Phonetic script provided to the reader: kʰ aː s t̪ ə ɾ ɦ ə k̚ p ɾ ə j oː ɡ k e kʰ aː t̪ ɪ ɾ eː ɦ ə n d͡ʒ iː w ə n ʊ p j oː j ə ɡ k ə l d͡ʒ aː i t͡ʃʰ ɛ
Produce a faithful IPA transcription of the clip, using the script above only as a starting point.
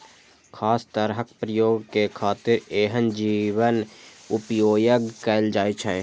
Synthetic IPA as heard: kʰ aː s t̪ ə ɾ ɦ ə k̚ p ɾ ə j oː ɡ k e kʰ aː t̪ ɪ ɾ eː ɦ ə n d͡ʒ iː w ə n ʊ p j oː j ə ɡ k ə l d͡ʒ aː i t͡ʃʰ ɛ